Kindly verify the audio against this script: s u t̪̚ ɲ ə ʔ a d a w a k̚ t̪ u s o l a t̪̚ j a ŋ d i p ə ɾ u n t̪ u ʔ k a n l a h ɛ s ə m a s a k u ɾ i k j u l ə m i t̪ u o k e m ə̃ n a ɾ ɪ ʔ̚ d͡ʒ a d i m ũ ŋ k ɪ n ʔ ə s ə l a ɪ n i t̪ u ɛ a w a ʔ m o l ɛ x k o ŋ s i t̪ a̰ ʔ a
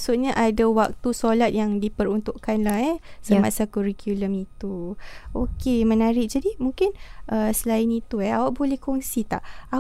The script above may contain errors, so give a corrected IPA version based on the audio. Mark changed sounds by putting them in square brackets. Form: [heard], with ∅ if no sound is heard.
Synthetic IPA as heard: s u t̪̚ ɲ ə ʔ a d a w a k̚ t̪ u s o l a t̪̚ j a ŋ d i p ə ɾ u n t̪ u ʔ k a n l a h ɛ s ə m a s a k u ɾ i k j u l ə m i t̪ u o k e m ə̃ n a ɾ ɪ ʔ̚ d͡ʒ a d i m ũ ŋ k ɪ n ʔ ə s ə l a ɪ n i t̪ u ɛ a w a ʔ [b] o l ɛ [h] k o ŋ s i t̪ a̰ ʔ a